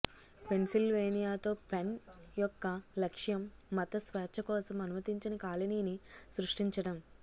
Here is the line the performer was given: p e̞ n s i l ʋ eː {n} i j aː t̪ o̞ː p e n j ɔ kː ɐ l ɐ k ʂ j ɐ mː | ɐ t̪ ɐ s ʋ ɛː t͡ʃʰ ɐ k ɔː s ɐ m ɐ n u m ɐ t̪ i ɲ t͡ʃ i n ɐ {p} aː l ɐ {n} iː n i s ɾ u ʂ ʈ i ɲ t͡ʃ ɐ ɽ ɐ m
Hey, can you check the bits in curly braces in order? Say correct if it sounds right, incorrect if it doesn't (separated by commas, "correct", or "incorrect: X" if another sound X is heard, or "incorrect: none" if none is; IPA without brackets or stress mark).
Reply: correct, incorrect: k, correct